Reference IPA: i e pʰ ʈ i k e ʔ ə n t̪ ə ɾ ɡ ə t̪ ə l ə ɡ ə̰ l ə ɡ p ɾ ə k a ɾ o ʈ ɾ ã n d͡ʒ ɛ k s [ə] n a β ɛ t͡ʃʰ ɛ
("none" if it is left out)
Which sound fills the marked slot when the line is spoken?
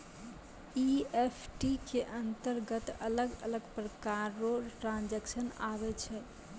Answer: ə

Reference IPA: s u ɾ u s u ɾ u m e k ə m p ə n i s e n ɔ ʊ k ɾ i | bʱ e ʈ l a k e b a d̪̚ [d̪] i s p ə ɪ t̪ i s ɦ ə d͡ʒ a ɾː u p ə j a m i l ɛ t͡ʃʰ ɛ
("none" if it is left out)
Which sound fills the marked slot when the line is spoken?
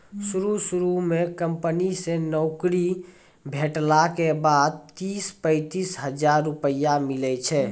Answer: t̪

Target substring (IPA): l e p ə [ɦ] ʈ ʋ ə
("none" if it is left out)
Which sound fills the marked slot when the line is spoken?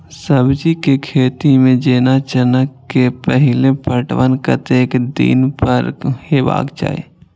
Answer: none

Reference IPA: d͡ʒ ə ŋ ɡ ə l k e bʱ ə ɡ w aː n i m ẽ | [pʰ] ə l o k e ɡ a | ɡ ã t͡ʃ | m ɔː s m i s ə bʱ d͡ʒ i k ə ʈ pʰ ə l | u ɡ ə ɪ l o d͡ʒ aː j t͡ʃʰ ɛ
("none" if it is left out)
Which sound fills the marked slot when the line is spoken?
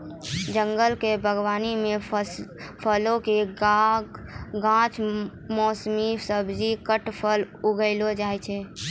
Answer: pʰ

